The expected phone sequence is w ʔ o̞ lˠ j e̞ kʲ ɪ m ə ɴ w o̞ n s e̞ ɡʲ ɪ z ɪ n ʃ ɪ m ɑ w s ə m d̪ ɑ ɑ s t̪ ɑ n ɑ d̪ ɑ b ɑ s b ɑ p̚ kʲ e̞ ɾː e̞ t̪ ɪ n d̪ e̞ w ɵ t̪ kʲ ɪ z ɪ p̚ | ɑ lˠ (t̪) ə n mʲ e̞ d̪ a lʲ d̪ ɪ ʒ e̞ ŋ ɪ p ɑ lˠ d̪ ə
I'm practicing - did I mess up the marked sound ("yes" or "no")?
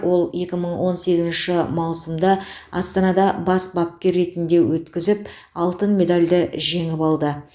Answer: no